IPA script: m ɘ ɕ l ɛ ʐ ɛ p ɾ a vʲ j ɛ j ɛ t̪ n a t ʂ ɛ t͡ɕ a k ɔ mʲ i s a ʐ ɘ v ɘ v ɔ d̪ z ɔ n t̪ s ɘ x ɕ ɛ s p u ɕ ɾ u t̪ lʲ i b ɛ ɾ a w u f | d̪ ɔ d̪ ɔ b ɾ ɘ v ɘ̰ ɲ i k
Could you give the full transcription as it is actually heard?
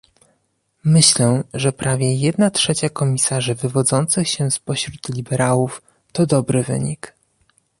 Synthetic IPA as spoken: m ɘ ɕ l ɛ ʐ ɛ p ɾ a vʲ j ɛ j ɛ d̪ n a t ʂ ɛ t͡ɕ a k ɔ mʲ i s a ʐ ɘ v ɘ v ɔ d̪ z ɔ n t̪ s ɘ x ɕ ɛ s p ɔ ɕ ɾ u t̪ lʲ i b ɛ ɾ a w u f | t̪ ɔ d̪ ɔ b ɾ ɘ v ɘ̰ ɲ i k